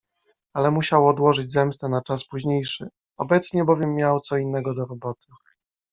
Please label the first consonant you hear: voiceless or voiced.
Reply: voiced